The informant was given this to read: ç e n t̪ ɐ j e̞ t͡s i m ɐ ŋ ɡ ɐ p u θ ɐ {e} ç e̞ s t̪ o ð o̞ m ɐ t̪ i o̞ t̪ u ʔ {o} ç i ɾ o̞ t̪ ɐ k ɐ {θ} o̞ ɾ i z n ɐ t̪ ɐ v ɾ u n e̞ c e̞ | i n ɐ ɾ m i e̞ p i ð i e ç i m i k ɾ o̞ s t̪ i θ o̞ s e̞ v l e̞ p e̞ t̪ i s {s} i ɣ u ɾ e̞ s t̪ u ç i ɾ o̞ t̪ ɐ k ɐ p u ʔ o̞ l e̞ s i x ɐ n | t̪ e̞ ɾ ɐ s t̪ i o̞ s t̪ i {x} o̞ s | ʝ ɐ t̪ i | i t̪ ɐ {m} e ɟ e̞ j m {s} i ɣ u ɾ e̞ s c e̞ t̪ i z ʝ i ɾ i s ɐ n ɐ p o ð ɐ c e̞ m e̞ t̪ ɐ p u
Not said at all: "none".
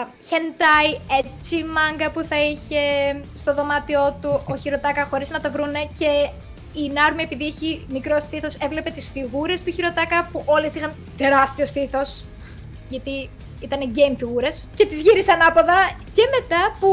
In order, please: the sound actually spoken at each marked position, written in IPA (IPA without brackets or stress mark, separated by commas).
i, o, x, f, θ, n, f